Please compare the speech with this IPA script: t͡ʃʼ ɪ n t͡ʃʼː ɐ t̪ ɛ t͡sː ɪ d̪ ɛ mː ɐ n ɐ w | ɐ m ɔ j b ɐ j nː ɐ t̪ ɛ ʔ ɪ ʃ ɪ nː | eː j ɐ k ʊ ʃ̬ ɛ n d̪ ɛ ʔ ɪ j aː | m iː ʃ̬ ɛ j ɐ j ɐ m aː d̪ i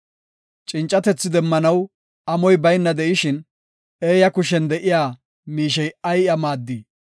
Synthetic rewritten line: t͡ʃʼ ɪ n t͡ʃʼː ɐ t̪ ɛ t͡sː ɪ d̪ ɛ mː ɐ n ɐ w | ɐ m ɔ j b ɐ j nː ɐ d̪ ɛ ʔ ɪ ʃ ɪ n | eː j ɐ k ʊ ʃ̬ ɛ n d̪ ɛ ʔ ɪ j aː | m iː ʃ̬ ɛ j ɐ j ɐ m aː d̪ː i